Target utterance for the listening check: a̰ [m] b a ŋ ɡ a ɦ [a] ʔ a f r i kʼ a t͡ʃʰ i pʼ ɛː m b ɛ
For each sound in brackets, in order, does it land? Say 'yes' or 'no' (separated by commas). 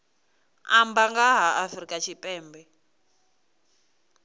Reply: yes, yes